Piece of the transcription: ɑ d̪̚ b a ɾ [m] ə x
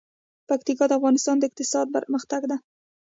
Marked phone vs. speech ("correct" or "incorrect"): correct